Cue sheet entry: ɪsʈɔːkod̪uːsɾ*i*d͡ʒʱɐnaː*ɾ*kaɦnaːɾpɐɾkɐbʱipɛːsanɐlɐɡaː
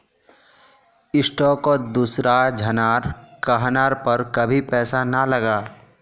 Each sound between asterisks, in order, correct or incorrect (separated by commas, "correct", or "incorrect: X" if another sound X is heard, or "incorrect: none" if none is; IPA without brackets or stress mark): incorrect: a, correct